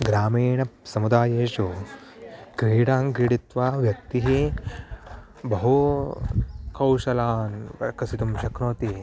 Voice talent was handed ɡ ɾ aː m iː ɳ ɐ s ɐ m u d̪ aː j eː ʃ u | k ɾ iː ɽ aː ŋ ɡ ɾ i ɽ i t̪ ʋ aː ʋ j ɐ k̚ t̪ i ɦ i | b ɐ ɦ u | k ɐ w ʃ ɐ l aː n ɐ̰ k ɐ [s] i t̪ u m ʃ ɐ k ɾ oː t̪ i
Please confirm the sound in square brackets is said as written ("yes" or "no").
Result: yes